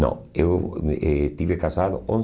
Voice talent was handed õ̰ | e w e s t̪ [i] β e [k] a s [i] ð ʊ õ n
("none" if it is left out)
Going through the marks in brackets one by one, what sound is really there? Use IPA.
i, k, a

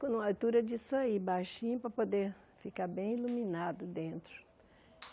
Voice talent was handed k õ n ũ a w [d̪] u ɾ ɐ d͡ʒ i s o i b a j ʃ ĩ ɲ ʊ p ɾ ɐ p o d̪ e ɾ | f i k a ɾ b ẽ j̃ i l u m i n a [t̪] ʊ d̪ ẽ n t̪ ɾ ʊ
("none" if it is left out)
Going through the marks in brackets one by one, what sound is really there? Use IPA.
t̪, d̪

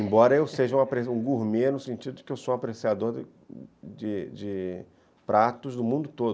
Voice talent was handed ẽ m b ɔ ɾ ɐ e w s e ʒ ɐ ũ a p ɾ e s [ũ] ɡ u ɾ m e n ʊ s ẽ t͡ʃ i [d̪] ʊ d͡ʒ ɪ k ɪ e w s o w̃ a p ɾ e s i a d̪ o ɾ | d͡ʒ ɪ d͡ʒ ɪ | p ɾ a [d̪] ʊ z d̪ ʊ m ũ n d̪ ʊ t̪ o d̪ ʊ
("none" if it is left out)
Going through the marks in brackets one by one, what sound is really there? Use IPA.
ũ, d̪, t̪

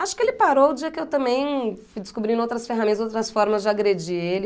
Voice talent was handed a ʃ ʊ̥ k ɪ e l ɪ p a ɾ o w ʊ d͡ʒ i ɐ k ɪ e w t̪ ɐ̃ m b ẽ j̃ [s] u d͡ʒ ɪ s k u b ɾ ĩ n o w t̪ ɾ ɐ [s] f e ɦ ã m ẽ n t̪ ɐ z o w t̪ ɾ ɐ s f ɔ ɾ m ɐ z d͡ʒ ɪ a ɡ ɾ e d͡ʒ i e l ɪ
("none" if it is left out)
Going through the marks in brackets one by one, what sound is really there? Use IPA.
f, s

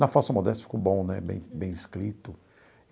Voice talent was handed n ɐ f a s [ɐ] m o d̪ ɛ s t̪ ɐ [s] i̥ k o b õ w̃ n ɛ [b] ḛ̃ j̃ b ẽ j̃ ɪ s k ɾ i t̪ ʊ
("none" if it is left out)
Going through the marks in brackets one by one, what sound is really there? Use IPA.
ɐ, f, b

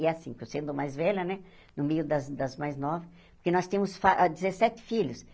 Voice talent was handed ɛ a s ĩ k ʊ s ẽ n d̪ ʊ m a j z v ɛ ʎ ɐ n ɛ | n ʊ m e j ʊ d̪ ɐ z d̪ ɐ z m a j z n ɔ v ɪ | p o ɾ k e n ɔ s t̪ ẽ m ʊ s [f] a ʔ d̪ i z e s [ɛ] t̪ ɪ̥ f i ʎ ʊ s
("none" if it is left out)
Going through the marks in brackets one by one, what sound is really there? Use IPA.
f, ɛ

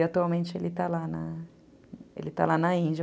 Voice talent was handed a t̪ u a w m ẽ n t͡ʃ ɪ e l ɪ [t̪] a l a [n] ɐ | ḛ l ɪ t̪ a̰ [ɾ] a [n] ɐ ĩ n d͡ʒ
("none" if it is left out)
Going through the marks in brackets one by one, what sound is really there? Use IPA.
t̪, n, l, n

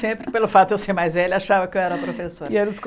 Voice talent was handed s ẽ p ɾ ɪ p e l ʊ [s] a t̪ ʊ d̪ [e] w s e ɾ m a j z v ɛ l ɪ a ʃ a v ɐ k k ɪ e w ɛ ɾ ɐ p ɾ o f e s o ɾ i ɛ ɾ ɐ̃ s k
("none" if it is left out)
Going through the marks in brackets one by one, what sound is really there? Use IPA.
f, e

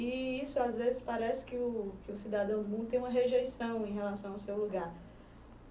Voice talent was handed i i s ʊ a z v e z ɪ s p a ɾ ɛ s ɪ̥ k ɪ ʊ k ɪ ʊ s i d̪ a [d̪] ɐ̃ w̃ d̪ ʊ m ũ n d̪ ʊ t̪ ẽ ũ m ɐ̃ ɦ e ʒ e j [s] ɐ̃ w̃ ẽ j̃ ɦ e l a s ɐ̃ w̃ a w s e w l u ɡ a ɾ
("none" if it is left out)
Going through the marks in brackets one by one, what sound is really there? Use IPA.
d̪, s

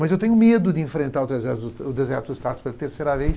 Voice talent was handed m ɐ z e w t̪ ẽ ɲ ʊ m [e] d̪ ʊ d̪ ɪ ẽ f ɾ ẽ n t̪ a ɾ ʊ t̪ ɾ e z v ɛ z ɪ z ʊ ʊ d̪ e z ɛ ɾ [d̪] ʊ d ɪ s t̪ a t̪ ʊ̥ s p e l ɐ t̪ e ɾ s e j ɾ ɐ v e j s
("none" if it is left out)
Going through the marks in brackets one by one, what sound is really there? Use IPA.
e, t̪

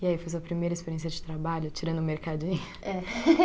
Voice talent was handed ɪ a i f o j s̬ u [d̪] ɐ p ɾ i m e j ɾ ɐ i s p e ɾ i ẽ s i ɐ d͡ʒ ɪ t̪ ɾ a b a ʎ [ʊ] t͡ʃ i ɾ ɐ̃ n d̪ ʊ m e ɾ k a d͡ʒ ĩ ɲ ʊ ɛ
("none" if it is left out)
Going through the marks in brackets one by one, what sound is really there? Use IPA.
none, ʊ

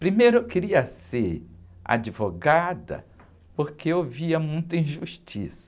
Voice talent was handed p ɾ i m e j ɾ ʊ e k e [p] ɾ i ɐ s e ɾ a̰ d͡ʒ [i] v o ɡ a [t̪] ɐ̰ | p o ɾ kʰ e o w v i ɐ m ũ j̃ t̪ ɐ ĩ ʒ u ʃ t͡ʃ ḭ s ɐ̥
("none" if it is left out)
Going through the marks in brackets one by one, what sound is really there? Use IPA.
none, i, d̪

